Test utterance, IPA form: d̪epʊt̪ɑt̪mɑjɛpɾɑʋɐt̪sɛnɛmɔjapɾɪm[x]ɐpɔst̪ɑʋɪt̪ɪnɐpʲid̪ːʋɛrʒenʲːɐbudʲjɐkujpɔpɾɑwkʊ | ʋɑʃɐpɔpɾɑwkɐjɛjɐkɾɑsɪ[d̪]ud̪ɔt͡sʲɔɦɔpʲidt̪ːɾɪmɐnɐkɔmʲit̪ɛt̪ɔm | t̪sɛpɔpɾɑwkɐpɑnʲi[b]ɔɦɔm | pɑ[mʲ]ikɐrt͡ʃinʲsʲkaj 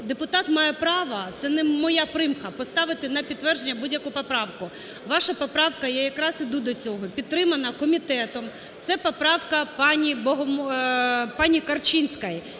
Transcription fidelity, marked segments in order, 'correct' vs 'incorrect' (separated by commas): correct, correct, correct, incorrect